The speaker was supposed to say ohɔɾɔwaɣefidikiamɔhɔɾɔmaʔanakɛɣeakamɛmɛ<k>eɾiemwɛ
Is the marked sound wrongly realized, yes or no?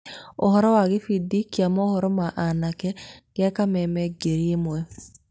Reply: yes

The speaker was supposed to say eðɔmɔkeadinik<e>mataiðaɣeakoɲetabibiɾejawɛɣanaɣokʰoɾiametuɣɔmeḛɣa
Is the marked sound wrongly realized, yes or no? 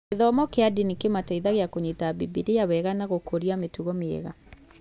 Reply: no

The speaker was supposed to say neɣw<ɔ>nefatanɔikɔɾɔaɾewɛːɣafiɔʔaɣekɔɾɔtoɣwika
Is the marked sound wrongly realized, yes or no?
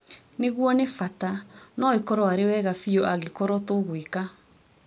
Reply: no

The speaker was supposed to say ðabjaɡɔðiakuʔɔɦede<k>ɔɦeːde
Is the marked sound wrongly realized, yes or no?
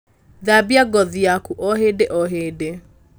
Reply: yes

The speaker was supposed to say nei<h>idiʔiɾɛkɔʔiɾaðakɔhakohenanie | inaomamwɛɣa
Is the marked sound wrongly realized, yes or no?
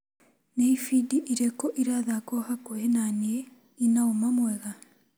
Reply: yes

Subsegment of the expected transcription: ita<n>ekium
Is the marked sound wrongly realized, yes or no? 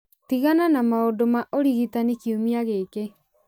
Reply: no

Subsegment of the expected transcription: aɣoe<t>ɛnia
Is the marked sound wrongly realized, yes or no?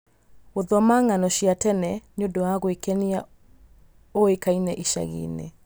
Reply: yes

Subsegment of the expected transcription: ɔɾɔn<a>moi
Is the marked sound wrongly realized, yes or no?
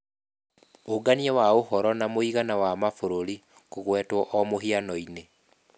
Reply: no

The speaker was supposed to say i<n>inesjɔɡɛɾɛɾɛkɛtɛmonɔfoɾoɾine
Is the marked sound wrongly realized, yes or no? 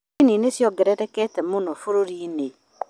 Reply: no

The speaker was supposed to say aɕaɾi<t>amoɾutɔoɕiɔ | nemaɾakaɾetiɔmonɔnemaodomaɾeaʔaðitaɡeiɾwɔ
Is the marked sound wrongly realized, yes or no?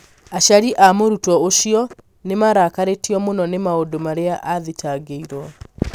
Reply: yes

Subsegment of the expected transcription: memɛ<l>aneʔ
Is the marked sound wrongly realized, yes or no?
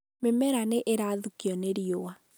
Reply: yes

